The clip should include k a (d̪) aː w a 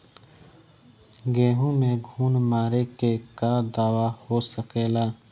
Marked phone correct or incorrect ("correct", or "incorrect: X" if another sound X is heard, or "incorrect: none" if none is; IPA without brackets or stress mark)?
correct